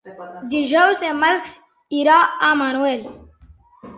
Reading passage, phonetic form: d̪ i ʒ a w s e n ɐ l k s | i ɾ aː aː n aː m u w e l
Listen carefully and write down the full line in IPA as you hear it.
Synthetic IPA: d̪ i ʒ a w s e m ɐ l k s | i ɾ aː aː m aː n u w e l